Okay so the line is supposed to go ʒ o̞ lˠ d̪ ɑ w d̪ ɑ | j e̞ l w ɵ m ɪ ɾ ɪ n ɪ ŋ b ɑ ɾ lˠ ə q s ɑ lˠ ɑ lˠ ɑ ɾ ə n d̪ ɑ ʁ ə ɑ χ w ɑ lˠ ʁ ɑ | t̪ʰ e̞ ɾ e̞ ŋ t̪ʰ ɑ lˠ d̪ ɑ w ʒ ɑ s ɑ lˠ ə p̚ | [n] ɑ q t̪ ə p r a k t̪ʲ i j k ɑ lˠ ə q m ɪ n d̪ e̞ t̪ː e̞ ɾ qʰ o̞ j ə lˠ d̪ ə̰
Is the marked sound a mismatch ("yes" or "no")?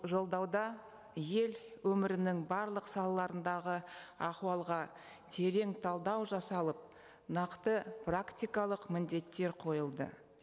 no